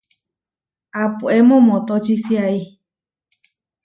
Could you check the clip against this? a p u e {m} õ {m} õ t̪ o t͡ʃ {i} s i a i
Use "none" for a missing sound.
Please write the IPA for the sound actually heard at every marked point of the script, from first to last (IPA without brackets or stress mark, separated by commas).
m, m, i